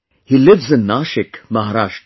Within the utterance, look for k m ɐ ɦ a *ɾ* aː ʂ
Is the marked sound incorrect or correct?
correct